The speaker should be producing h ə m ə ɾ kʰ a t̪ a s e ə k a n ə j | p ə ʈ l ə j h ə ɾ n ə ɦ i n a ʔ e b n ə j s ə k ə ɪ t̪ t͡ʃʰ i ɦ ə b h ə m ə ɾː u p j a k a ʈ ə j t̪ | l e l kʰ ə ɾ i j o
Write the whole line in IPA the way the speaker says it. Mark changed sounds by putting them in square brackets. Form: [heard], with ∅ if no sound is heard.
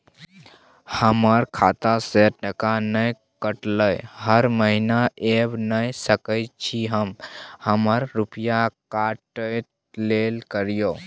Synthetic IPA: h ə m ə ɾ kʰ a t̪ a s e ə k a n ə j | [k] ə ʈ l ə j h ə ɾ [m] ə ɦ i n a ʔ e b n ə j s ə k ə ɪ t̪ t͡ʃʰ i ɦ ə [m] h ə m ə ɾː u p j a k a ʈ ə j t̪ | l e l [k] ə ɾ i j o